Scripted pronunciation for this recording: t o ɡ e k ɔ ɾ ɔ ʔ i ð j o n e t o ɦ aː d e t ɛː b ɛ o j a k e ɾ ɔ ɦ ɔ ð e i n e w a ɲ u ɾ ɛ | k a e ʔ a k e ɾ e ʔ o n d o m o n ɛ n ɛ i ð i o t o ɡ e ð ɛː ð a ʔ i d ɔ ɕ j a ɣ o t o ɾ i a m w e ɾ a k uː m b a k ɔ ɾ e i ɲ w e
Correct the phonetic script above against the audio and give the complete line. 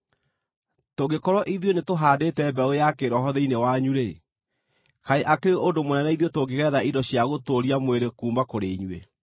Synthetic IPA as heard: t o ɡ e k ɔ ɾ ɔ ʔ i ð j o n e t o ɦ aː d e t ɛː b ɛ o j a k e ɾ ɔ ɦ ɔ ð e i n e w a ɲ u ɾ e | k a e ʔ a k e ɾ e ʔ o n d o m o n ɛ n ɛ i ð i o t o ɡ e ɣ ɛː ð a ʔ i d ɔ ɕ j a ɣ o t o ɾ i a m w e ɾ e k uː m b a k o ɾ e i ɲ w e

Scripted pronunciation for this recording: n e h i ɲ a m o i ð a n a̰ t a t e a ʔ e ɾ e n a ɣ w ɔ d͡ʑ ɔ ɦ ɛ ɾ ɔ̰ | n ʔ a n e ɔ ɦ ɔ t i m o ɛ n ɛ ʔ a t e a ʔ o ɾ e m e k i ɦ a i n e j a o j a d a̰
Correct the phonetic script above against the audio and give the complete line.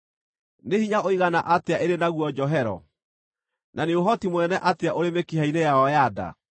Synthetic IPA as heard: n e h i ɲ a o i ɣ a n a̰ ʔ a t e a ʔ e ɾ e n a ɣ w ɔ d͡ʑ ɔ ɦ ɛ ɾ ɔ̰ | n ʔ a n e o ɦ ɔ t i m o ɛ n ɛ ʔ a t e a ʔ o ɾ e m e k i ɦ a i n e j a ɔ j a d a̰

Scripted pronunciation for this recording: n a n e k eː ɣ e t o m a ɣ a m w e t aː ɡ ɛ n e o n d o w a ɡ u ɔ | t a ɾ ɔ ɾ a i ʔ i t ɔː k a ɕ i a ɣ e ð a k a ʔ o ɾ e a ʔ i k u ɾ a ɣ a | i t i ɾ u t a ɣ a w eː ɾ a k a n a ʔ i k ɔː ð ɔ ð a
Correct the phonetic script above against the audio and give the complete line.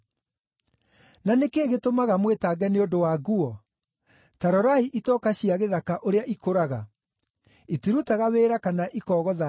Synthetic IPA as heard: n a n e k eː ɣ e t o m a ɣ a m w e t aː ɡ ɛ n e o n d o w a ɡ u ɔ | t a ɾ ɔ ɾ a i ʔ i t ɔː k a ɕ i a ɣ e ð a k a ʔ o ɾ e a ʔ i k o ɾ a ɣ a | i t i ɾ u t a ɣ a w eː ɾ a k a n a ʔ i k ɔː ɣ ɔ ð a

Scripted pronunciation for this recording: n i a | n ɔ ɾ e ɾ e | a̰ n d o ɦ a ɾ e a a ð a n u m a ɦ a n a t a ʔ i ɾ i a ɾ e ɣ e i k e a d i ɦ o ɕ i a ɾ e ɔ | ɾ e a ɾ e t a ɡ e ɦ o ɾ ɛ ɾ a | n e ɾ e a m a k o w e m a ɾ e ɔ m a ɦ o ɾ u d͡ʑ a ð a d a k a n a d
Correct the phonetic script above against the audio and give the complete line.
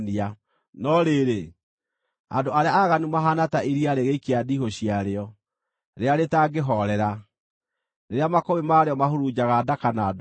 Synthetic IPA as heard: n i a | n ɔ ɾ e ɾ e | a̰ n d o a ɾ e a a ɣ a n u m a ɦ a n a t a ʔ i ɾ i a ɾ e ɣ e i k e a d i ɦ o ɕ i a ɾ e ɔ | ɾ e a ɾ e t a ɡ e ɦ ɔ ɾ ɛ ɾ a | n e ɾ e a m a k o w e m a ɾ e ɔ m a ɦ o ɾ u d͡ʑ a ɣ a d a k a n a d

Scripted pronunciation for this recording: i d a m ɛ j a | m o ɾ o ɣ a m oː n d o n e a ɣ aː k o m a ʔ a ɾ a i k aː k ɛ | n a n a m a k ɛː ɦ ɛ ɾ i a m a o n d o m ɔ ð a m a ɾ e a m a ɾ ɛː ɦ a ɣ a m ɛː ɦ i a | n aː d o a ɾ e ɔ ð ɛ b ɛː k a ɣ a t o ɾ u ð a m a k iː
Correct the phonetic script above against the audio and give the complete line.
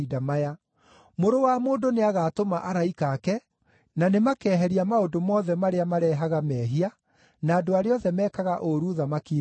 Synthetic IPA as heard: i d a m a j a | m o ɾ o w a m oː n d o n e a ɣ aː t o m a ʔ a ɾ a i k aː k ɛ | n a n e m a k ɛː ɦ ɛ ɾ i a m a o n d o m ɔ ð ɛ m a ɾ e a m a ɾ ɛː ɦ a ɣ a m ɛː ɦ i a | n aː d o a ɾ e ɔ ð ɛ m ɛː k a ɣ a ʔ o ɾ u ð a m a k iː

